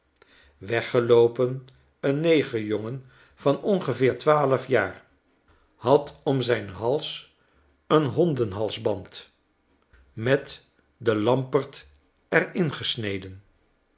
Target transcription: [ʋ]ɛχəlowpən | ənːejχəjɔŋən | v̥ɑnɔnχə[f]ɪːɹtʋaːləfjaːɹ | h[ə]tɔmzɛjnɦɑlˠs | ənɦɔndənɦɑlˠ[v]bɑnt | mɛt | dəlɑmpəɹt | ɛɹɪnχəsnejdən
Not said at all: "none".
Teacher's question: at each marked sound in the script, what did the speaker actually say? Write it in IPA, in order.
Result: ʋ, v, ɑ, z

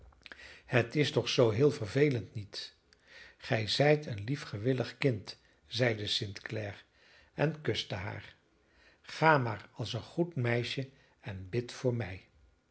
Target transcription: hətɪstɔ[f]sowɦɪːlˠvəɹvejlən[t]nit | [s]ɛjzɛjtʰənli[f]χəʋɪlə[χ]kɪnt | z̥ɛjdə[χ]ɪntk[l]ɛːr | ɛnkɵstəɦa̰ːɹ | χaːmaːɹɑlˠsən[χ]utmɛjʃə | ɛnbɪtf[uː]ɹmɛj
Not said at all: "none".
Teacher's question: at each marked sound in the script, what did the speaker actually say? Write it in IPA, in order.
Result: χ, t, χ, f, χ, s, l, χ, ʊː

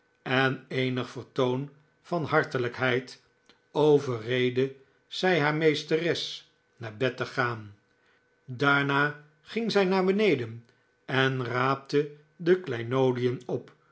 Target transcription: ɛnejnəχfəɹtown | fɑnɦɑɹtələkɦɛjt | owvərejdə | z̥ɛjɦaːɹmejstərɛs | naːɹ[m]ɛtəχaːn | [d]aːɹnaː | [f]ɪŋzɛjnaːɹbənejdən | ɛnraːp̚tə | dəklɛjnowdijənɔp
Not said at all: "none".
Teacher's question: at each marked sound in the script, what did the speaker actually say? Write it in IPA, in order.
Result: b, d, χ

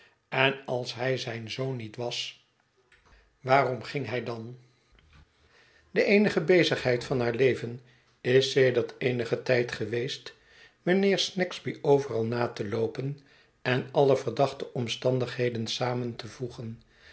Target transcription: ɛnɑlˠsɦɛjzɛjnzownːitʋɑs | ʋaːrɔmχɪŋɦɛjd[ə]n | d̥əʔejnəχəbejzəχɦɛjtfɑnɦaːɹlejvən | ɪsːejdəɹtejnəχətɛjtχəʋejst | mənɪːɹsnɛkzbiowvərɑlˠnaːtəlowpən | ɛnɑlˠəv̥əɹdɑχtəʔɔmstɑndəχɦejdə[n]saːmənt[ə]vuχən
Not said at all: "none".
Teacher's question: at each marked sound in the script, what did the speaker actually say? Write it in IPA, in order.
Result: ɑ, n, ə

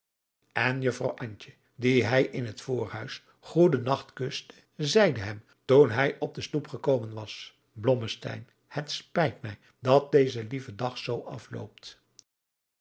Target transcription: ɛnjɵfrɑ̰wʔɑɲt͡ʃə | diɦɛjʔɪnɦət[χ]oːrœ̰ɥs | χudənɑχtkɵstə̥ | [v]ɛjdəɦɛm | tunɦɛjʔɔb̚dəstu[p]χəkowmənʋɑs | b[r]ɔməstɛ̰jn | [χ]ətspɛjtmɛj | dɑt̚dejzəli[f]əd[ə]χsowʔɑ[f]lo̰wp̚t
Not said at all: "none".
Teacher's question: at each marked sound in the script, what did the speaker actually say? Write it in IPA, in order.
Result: f, z, p, l, h, v, ɑ, f

